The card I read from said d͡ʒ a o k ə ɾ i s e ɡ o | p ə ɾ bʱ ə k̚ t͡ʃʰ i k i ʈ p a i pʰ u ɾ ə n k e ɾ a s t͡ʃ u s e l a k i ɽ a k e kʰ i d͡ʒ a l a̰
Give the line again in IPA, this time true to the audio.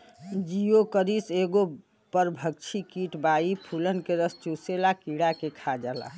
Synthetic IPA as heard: d͡ʒ i o k ə ɾ i s e ɡ o | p ə ɾ bʱ ə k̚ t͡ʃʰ i k i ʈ b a i pʰ u l ə n k e ɾ ə s t͡ʃ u s e l a k i ɽ a k e kʰ a d͡ʒ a l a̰